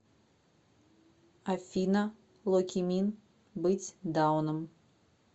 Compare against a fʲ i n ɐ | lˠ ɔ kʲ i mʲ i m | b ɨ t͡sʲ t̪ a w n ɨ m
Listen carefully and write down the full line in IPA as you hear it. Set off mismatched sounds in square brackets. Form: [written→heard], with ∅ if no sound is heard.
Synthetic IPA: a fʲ i n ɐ | lˠ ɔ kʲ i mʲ i [m→n] | b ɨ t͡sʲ [t̪→d̪] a w n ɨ m